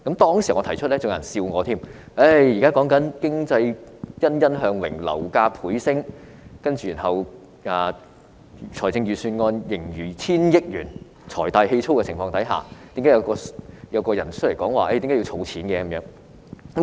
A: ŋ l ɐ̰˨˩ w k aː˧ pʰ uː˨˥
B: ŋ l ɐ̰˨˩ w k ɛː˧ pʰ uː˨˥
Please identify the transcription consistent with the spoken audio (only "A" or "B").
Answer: A